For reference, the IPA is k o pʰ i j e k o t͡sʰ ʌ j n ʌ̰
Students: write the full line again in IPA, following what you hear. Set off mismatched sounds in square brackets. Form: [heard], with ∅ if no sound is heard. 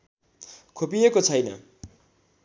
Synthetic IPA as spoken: [kʰ] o [p] i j e k o t͡sʰ ʌ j n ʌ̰